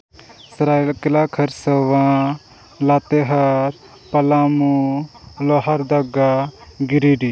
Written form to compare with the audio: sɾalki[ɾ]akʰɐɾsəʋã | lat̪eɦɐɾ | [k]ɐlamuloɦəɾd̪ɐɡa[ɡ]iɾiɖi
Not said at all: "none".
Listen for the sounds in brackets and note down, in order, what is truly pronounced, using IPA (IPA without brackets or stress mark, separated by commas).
l, p, ɡ